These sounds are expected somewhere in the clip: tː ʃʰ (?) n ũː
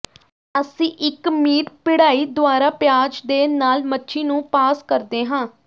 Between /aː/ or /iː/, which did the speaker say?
iː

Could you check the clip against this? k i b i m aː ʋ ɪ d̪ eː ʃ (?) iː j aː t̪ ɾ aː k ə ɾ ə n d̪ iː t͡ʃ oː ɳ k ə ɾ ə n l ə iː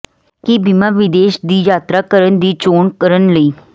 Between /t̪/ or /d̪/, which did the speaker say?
d̪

